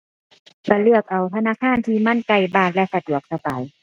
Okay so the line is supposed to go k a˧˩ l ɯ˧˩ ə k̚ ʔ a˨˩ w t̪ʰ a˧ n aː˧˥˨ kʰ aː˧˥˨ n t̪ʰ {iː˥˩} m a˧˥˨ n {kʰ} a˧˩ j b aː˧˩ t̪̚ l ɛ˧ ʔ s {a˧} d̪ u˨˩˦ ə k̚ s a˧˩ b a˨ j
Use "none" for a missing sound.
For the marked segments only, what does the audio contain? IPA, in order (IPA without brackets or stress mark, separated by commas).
iː˧, k, a˧